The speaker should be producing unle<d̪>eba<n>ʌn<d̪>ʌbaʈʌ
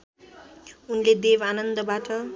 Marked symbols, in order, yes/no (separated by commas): yes, yes, yes